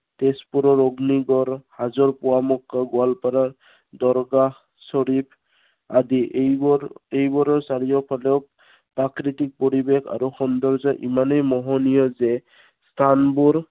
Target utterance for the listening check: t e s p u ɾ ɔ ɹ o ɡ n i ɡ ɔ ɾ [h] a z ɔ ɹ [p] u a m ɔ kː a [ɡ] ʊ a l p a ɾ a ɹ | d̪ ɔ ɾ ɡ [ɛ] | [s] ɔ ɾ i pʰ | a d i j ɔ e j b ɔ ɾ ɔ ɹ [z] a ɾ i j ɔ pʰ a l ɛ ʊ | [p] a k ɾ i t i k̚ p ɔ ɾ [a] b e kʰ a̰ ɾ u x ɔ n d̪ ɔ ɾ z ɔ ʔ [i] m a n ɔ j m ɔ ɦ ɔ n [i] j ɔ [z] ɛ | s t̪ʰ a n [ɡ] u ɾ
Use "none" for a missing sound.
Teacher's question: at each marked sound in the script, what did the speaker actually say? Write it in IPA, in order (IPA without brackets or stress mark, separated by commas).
h, p, ɡ, a, s, s, p, i, i, i, z, b